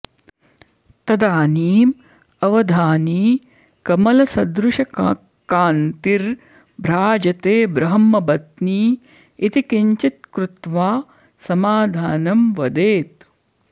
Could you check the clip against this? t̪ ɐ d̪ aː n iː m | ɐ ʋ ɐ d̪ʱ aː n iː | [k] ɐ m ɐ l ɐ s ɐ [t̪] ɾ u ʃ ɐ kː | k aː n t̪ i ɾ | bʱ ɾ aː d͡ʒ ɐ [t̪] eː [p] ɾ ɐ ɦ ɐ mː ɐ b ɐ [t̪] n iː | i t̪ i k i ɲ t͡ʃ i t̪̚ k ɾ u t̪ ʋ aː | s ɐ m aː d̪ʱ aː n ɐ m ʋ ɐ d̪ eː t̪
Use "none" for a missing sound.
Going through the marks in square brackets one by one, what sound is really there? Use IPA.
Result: k, d̪, t̪, b, t̪

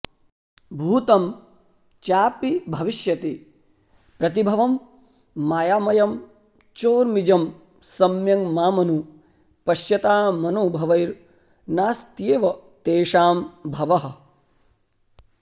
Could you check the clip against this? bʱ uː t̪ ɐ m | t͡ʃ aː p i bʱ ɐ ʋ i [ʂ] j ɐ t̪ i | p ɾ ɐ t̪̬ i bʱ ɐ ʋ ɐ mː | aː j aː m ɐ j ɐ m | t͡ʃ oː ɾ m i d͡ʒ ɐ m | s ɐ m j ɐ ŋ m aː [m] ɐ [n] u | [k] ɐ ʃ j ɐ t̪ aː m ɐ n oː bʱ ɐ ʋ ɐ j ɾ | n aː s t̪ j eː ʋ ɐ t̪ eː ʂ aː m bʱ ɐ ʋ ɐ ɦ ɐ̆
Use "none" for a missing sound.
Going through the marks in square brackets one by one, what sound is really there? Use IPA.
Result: ʃ, m, n, p

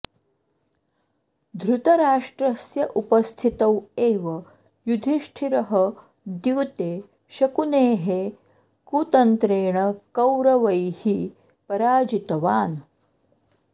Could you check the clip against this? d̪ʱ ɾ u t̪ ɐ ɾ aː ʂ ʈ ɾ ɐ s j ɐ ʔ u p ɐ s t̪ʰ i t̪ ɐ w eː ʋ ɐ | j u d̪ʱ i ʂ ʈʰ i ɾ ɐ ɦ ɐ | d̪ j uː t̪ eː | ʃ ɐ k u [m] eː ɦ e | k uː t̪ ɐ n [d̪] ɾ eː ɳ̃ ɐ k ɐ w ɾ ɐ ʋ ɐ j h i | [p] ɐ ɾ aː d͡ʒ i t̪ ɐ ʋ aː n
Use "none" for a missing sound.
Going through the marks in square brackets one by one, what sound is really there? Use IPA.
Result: n, t̪, p

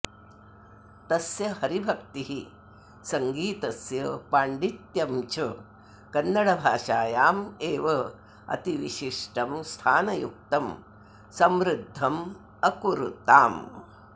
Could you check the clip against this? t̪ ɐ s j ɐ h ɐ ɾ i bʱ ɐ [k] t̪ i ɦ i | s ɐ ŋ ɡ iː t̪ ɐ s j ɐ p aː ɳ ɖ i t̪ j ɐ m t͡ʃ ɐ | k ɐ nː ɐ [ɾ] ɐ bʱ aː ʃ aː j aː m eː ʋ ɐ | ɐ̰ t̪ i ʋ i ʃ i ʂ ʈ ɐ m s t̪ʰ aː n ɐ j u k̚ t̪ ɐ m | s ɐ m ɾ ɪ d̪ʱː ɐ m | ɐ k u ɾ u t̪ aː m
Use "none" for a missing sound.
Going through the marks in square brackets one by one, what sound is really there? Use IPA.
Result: k, ɽ

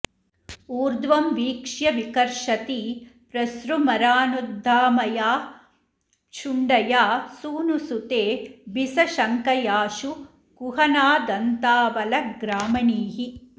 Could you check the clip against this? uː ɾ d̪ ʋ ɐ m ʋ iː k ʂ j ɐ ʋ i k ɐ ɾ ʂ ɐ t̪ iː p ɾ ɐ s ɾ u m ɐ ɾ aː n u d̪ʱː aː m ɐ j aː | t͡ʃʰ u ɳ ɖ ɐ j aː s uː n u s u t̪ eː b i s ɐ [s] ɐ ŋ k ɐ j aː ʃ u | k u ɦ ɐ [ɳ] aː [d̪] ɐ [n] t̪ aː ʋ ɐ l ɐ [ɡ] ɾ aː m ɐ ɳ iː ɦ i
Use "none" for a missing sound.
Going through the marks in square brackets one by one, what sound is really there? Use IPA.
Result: ʃ, n, d̪, n, ɡ

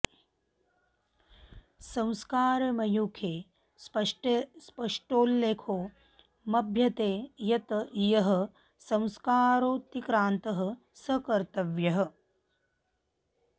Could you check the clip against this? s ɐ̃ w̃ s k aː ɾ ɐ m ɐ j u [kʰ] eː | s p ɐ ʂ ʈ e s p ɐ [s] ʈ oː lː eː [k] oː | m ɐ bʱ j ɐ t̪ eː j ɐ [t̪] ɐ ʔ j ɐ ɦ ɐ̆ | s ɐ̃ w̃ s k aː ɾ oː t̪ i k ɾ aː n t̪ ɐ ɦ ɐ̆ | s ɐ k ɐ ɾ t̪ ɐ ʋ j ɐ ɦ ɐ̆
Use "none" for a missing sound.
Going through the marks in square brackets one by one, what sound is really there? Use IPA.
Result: kʰ, ʂ, kʰ, t̪

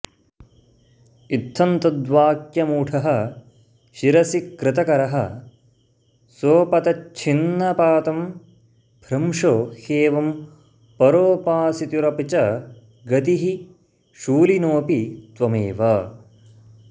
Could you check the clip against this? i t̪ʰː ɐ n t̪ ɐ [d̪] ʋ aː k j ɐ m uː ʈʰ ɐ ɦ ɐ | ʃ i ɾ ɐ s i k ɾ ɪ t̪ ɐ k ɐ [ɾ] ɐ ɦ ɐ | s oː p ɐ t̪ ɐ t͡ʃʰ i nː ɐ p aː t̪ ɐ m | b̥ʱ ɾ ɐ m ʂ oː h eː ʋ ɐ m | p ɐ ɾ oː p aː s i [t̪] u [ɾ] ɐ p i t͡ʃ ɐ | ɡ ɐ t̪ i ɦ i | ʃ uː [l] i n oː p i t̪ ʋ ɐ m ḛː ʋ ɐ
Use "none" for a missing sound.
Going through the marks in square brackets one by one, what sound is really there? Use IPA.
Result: d̪, ɾ, t̪, ɾ, l

